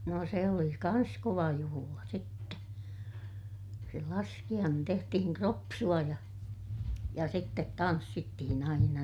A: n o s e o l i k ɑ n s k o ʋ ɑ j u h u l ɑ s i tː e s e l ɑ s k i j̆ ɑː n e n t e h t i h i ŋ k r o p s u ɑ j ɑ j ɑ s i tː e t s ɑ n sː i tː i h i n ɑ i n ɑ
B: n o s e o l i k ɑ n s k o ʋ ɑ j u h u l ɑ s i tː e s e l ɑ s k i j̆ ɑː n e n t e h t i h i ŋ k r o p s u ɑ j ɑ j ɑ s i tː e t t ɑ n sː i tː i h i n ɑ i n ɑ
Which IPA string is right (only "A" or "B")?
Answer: B